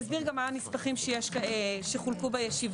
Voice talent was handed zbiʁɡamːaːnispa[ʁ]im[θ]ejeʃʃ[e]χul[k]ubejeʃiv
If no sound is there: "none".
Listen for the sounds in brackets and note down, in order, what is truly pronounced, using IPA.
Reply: χ, ʃ, e, k

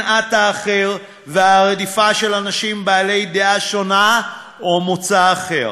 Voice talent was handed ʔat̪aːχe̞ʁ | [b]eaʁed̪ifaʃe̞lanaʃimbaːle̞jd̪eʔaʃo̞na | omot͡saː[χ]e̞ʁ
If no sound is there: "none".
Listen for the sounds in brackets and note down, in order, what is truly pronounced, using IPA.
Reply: v, χ

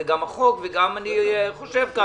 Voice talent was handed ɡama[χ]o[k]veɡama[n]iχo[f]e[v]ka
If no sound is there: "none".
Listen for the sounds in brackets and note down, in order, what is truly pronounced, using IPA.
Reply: χ, k, n, ʃ, v

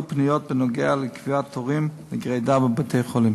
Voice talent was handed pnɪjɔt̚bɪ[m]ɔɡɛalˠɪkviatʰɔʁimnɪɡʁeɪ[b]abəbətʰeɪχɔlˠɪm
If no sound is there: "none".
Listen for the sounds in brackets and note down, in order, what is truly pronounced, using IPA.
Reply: n, d

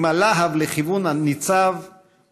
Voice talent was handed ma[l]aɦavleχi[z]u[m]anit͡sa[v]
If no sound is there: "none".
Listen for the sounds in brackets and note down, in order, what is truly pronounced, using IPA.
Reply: l, v, n, v

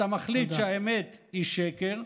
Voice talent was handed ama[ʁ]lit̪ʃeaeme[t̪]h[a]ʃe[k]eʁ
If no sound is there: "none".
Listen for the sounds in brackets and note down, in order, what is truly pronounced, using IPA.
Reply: χ, t̪, i, k

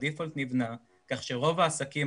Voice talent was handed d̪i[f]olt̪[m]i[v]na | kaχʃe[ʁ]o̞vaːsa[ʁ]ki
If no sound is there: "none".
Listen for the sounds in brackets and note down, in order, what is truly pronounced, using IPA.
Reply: f, n, v, ʁ, none

